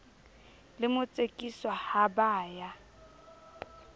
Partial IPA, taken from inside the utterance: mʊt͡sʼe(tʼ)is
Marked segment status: incorrect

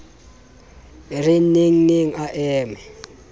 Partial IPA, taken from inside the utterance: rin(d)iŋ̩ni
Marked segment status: incorrect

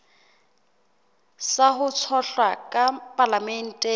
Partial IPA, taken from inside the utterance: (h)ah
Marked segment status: incorrect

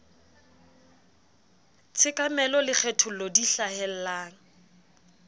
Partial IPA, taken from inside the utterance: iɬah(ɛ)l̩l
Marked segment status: correct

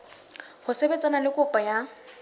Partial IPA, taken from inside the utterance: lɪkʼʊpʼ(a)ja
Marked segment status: correct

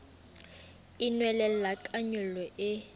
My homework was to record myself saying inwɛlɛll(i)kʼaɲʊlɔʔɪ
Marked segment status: incorrect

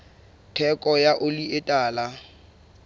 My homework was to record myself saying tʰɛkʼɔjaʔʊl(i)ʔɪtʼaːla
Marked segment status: correct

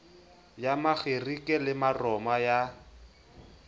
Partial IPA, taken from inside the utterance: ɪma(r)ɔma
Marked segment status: correct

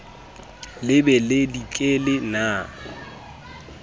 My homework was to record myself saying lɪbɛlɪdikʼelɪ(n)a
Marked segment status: correct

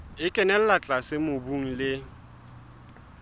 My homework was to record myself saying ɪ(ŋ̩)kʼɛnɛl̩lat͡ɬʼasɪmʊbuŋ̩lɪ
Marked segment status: incorrect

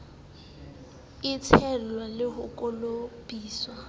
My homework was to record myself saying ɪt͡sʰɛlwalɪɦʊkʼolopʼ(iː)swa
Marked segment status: correct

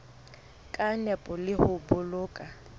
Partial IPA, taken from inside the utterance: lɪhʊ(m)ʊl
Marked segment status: incorrect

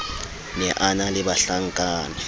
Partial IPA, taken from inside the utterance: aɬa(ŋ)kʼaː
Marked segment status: correct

